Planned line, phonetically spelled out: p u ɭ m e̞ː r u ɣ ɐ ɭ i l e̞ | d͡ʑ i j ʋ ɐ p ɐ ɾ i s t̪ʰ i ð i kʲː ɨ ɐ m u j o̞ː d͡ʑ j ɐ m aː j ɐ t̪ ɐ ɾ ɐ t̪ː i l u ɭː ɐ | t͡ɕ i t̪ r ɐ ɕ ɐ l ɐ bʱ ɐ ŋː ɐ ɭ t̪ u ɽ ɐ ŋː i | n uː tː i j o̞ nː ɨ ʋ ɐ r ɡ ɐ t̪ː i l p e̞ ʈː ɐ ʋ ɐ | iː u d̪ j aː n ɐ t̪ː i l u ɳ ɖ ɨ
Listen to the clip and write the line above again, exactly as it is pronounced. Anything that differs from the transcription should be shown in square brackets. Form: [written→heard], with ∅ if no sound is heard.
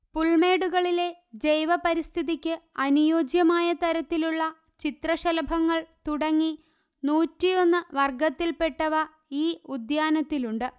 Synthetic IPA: p u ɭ m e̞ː [r→ɽ] u ɣ ɐ ɭ i l e̞ | d͡ʑ [i→e] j ʋ ɐ p ɐ ɾ i s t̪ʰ i ð i kʲː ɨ ɐ [m→n] u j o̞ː d͡ʑ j ɐ m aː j ɐ t̪ ɐ ɾ ɐ t̪ː i l u ɭː ɐ | t͡ɕ i t̪ r ɐ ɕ ɐ l ɐ bʱ ɐ ŋː ɐ ɭ t̪ u ɽ ɐ ŋː i | n uː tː i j o̞ nː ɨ ʋ ɐ r ɡ ɐ t̪ː i l p e̞ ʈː ɐ ʋ ɐ | iː u d̪ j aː n ɐ t̪ː i l u ɳ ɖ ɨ